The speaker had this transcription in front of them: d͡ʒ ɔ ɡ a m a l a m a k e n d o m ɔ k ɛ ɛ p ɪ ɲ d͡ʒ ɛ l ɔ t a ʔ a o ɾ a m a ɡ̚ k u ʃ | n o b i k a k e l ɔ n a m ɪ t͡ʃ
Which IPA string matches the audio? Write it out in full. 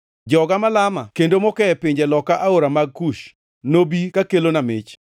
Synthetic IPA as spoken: d͡ʒ ɔ ɡ a m a l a m a k e n d o m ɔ k ɛ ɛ p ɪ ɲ d͡ʒ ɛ l ɔ k a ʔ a o ɾ a m a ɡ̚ k u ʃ | n o b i k a k e l o n a m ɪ t͡ʃ